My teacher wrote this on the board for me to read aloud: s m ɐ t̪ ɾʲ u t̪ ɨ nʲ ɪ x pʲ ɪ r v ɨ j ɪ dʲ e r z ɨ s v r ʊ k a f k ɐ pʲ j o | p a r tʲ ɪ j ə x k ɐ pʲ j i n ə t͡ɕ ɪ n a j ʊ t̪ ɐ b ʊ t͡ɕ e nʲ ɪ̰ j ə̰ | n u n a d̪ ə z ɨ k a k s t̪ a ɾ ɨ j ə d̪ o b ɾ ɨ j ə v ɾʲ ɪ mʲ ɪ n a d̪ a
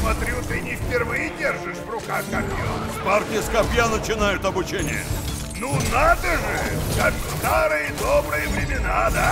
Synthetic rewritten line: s m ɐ t̪ ɾʲ u t̪ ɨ nʲ ɪ f pʲ ɪ r v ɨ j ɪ dʲ e r ʐ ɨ ʂ v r ʊ k a x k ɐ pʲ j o | p a r tʲ ɪ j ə s k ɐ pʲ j a n ə t͡ɕ ɪ n a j ʊ t̪ ɐ b ʊ t͡ɕ e nʲ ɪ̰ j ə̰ | n u n a d̪ ə ʐ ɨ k a k s t̪ a ɾ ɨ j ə d̪ o b ɾ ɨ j ə v ɾʲ ɪ mʲ ɪ n a d̪ a